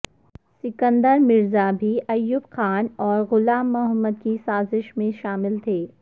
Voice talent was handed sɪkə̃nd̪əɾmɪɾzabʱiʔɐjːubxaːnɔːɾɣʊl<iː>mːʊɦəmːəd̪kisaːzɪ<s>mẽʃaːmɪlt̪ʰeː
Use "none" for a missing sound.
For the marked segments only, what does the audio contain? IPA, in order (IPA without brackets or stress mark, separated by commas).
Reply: aː, ʃ